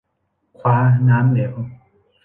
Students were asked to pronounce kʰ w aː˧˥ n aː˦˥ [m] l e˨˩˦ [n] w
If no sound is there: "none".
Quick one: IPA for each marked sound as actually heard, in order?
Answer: m, none

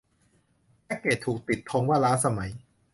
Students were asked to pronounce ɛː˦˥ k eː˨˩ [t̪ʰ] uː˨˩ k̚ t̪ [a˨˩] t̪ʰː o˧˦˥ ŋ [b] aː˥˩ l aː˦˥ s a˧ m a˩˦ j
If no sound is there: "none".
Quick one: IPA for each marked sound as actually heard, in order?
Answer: t̪ʰ, i˨˩, w

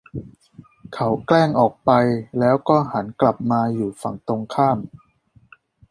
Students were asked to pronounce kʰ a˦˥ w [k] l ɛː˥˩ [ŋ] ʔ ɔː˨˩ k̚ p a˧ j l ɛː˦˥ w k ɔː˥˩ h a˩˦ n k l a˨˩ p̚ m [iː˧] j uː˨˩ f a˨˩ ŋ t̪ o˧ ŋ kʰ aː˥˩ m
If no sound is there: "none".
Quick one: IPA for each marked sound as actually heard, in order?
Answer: k, ŋ, aː˧

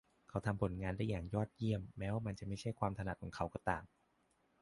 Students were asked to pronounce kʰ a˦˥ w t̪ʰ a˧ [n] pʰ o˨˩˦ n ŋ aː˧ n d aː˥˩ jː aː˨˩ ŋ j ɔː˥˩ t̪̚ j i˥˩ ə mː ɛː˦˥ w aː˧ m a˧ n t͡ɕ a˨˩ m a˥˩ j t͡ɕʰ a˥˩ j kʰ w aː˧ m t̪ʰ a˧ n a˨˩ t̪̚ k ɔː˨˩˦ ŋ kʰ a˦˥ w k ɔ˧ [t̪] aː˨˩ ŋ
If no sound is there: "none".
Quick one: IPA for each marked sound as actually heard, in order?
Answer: m, t̪

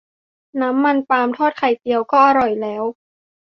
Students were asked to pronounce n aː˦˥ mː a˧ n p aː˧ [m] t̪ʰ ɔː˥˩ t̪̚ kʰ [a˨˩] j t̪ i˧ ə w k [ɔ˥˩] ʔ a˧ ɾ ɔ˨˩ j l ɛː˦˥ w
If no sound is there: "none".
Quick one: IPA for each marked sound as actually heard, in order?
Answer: m, a˨˩, ɔː˥˩

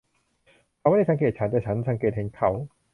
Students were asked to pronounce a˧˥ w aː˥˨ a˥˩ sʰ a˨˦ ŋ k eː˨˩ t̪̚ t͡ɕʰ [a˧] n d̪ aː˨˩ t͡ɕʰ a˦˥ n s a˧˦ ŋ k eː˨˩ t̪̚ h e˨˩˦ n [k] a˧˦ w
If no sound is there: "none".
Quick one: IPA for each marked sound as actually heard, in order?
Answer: a˦˥, kʰ

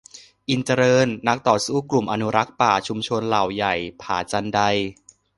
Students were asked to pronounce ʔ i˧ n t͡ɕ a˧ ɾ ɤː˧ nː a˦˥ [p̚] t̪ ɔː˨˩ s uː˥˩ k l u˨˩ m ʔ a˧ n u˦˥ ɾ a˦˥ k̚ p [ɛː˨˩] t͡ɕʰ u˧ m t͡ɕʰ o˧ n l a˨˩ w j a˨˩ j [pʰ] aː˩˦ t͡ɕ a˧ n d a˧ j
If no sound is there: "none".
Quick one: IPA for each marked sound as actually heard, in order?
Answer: k̚, aː˨˩, pʰ

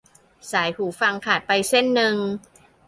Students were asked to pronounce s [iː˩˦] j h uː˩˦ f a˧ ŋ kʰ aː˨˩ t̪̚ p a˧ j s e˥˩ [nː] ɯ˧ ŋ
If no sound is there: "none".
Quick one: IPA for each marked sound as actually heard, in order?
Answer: aː˩˦, nː

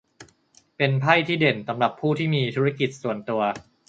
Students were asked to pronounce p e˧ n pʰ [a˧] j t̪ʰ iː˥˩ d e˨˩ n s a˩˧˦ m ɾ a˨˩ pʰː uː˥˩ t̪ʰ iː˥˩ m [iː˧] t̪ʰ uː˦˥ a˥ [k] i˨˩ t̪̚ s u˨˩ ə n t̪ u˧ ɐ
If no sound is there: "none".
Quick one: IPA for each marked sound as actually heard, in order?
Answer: a˥˩, iː˧, k

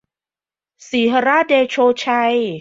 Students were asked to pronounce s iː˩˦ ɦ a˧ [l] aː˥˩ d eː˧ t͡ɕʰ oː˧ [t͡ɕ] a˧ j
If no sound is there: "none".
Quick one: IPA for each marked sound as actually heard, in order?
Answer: ɾ, t͡ɕʰ

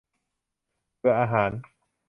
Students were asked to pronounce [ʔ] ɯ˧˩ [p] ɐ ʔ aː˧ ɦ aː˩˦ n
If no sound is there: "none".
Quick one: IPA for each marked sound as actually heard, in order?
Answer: p, none

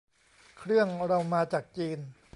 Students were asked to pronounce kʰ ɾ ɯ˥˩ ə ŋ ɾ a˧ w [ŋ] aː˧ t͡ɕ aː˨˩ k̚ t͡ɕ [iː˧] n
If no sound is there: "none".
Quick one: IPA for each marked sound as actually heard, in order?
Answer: m, iː˧

